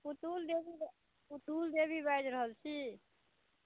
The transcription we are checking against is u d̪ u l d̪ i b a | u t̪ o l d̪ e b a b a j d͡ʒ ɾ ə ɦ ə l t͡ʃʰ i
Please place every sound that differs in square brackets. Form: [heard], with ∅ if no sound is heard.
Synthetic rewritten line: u [t̪] u l d̪ [e] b [i] | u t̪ [u] l d̪ e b [i] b a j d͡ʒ ɾ ə ɦ ə l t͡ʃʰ i